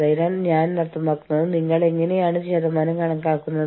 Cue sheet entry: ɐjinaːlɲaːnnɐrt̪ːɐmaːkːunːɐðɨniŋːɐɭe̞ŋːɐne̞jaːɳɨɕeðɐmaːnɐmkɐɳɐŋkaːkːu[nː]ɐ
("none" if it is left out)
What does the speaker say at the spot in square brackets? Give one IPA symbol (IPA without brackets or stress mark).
nː